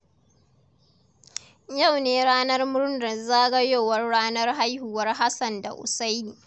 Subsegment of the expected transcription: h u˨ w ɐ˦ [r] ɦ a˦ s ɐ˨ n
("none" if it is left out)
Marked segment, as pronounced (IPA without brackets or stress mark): r